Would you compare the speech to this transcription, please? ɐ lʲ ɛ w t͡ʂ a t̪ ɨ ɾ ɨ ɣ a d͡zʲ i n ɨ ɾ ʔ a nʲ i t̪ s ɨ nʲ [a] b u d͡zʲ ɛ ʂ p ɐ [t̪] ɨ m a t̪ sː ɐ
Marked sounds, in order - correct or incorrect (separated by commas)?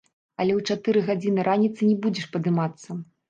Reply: incorrect, incorrect